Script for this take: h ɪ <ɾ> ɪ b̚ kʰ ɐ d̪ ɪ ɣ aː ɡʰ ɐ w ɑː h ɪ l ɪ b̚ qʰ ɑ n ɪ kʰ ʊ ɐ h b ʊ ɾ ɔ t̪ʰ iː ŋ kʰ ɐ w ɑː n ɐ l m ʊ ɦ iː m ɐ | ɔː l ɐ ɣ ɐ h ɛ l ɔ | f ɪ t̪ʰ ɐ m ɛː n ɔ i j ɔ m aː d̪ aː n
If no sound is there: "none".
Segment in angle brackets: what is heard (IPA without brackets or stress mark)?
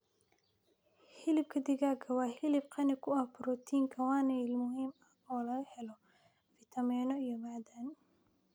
l